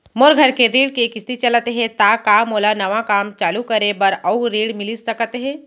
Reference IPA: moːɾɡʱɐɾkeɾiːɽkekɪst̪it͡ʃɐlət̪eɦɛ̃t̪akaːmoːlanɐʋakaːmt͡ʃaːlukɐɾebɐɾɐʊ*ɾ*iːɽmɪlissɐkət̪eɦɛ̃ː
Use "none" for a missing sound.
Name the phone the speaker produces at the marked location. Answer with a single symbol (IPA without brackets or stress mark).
ɾ